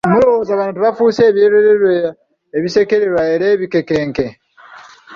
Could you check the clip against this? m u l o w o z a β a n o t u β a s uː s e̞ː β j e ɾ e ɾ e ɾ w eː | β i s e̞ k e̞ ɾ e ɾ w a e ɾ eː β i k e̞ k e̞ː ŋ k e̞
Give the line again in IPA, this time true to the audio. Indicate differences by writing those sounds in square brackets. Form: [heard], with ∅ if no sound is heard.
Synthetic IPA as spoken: m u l o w o z a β a n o t u β a [f] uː s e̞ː β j e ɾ e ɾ e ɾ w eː | β i s e̞ k e̞ ɾ e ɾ w a e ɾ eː β i k e̞ k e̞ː ŋ k e̞